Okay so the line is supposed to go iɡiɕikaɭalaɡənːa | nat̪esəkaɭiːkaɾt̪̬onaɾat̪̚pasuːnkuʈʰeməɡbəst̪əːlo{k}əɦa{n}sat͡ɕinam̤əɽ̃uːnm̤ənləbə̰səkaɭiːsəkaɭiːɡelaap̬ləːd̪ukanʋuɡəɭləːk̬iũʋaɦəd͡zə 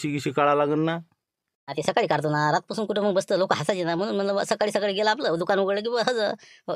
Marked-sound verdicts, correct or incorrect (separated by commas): correct, incorrect